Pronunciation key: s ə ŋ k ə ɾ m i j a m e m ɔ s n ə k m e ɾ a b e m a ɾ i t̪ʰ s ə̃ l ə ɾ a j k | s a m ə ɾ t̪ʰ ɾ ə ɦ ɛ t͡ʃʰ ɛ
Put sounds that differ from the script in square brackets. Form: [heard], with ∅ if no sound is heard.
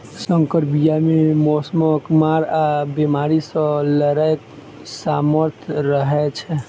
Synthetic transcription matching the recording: s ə ŋ k ə ɾ [b] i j a m e m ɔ s [m] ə k m [a] ɾ a b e m a ɾ i [∅] s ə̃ l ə ɾ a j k | s a m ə ɾ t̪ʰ ɾ ə ɦ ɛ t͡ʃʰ ɛ